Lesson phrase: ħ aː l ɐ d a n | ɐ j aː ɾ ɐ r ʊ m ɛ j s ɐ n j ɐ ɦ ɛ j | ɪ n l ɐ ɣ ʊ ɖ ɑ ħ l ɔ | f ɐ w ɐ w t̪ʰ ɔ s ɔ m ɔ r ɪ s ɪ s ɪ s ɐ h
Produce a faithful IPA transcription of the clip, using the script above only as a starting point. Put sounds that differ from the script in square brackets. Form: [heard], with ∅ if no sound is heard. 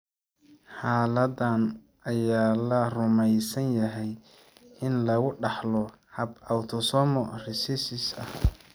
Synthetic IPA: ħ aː l ɐ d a n | ɐ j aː [l] ɐ r ʊ m ɛ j s ɐ n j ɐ ɦ ɛ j | ɪ n l ɐ ɣ ʊ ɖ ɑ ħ l ɔ | [h] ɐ [b] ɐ w t̪ʰ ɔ s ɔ m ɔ r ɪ s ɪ s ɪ s ɐ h